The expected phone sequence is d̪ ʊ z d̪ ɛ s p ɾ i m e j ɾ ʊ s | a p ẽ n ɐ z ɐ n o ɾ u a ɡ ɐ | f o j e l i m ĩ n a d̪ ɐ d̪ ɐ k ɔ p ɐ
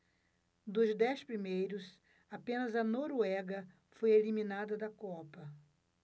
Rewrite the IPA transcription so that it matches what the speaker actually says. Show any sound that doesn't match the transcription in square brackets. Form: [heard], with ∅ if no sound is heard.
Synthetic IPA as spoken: d̪ ʊ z d̪ ɛ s p ɾ i m e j ɾ ʊ s | a p ẽ n ɐ z ɐ n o ɾ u [ɛ] ɡ ɐ | f o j e l i m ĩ n a d̪ ɐ d̪ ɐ k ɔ p ɐ